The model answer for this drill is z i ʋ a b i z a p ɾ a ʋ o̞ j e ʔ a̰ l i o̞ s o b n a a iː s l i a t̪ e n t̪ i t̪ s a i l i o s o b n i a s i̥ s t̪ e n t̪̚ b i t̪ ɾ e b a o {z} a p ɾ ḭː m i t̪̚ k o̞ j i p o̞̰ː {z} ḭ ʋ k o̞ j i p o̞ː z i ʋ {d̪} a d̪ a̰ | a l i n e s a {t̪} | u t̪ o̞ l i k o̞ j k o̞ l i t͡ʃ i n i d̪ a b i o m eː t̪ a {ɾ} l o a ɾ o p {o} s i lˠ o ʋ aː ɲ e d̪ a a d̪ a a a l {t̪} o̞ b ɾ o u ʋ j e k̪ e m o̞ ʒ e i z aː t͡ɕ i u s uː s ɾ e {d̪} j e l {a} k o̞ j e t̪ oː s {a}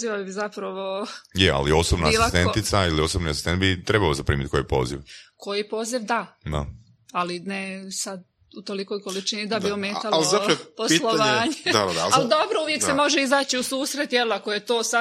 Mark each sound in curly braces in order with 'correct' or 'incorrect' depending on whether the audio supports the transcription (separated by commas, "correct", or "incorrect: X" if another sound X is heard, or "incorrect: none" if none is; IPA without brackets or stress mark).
correct, correct, correct, incorrect: d̪, incorrect: l, correct, incorrect: d̪, incorrect: t̪, correct, correct